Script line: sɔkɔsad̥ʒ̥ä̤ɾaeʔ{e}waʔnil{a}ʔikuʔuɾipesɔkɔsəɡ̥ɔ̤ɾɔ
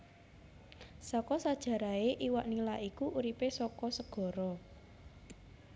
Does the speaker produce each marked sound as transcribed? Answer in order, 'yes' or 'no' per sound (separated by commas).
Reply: no, yes